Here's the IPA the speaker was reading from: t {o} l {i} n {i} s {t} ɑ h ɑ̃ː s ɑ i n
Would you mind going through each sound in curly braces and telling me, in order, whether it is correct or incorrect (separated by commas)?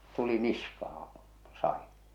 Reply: incorrect, correct, correct, incorrect